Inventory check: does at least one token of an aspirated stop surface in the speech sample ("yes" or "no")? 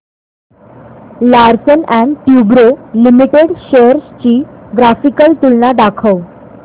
yes